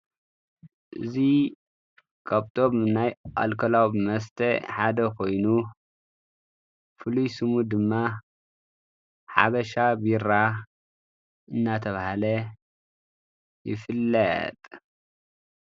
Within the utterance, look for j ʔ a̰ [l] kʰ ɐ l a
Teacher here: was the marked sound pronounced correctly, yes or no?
yes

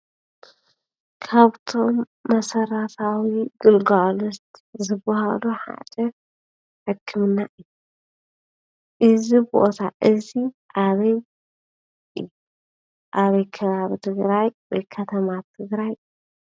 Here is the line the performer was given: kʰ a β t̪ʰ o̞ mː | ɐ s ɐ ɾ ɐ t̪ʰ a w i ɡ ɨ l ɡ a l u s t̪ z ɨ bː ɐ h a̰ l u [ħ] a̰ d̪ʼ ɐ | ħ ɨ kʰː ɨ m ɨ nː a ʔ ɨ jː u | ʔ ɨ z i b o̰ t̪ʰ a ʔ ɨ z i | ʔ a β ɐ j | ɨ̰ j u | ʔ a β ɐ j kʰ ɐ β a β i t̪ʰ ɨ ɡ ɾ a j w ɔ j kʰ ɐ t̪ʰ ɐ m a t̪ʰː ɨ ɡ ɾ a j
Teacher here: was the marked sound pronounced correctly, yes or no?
yes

